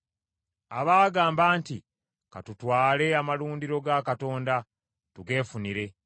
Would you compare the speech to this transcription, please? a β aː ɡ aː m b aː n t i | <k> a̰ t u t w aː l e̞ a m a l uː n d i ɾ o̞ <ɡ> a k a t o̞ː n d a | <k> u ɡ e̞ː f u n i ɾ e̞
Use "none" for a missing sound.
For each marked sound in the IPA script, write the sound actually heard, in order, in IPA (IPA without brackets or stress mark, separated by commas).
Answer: k, ɡ, t